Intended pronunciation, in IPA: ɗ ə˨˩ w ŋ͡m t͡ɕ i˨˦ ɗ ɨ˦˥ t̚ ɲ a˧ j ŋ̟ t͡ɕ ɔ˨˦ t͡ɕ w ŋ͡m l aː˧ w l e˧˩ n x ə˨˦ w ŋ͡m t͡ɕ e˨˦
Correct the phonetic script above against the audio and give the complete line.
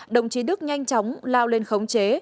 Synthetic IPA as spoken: ɗ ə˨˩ w ŋ͡m t͡ɕ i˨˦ ɗ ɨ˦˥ k̚ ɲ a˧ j ŋ̟ t͡ɕ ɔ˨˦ w ŋ͡m l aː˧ w l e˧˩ n x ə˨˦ w ŋ͡m t͡ɕ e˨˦

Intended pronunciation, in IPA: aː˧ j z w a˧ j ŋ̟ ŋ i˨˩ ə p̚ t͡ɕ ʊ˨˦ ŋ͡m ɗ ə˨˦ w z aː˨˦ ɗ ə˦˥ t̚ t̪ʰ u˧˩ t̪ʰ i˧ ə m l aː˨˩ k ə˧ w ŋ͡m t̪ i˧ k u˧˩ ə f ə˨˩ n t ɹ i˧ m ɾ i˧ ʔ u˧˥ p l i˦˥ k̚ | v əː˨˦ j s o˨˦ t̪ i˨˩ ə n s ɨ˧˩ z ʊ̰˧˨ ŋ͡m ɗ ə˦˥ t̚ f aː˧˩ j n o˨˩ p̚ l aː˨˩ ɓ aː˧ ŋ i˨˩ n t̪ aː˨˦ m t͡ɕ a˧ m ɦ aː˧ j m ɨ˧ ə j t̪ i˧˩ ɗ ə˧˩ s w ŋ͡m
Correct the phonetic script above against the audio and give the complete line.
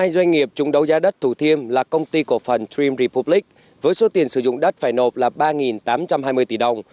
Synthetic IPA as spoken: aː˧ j z w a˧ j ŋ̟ ŋ i˨˩ ə p̚ t͡ɕ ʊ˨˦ ŋ͡m ɗ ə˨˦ w z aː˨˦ ɗ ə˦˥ t̚ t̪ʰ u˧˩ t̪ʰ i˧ ə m l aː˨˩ k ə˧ w ŋ͡m t̪ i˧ k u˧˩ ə f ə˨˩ n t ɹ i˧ m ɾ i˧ p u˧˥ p l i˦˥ k̚ | v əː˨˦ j s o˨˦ t̪ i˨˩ ə n s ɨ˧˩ z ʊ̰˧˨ ŋ͡m ɗ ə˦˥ t̚ f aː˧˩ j n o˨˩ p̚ l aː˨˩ ɓ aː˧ ŋ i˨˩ n t̪ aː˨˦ m t͡ɕ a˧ m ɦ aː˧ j m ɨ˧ ə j t̪ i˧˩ ɗ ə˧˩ w ŋ͡m

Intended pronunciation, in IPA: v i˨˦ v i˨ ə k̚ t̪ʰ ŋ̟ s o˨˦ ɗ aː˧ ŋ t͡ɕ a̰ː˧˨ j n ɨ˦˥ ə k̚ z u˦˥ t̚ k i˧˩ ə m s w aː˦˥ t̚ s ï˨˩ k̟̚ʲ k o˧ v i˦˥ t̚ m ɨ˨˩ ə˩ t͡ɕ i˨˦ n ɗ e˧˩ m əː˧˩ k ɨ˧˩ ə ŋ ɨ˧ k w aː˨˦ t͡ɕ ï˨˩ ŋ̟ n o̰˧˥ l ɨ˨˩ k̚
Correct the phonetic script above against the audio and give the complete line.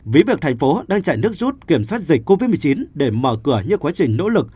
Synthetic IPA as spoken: v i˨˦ v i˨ ə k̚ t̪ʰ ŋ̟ f o˨˦ ɗ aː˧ ŋ t͡ɕ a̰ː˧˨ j n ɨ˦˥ ə k̚ z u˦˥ t̚ k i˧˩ ə m s w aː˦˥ t̚ z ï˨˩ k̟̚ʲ k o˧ v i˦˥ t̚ m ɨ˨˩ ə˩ t͡ɕ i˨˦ n ɗ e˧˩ m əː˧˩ k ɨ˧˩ ə ɲ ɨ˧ k w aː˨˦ t͡ɕ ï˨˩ ŋ̟ n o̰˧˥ l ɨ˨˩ k̚

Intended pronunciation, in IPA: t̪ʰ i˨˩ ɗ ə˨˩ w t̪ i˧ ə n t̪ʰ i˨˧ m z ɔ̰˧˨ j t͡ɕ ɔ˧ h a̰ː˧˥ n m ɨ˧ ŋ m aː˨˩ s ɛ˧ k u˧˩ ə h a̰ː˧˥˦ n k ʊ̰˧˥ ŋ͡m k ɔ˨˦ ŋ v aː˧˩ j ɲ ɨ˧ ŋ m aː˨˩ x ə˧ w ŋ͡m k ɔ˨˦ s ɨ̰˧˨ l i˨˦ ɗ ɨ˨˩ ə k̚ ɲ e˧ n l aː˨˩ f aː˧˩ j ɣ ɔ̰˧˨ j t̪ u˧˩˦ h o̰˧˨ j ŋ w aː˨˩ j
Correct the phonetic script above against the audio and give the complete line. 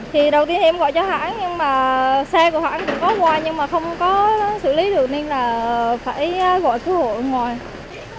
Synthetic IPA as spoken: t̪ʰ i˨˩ ɗ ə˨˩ w t̪ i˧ ə n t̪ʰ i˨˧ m ɣ ɔ̰˧˨ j t͡ɕ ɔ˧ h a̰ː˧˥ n ɲ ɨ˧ ŋ m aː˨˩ s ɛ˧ k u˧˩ ə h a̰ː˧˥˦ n k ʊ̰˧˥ ŋ͡m k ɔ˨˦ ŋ w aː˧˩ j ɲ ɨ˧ ŋ m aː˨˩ x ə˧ w ŋ͡m k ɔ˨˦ s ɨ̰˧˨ l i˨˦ ɗ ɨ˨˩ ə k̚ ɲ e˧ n l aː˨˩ f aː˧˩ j ɣ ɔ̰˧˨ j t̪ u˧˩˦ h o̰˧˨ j ŋ w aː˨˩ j

